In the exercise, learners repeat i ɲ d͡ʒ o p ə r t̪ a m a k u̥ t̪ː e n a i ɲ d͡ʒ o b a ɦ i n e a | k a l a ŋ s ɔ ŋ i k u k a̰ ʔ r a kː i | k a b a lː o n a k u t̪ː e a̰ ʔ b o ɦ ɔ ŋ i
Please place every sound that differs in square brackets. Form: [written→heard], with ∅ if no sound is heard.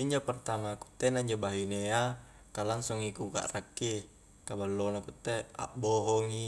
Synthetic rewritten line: i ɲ d͡ʒ o p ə r t̪ a m a k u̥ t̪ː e n a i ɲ d͡ʒ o b a ɦ i n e a | k a l a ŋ s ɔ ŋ i k u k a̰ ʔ r a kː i | k a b a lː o n a k u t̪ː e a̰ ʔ b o ɦ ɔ ŋ i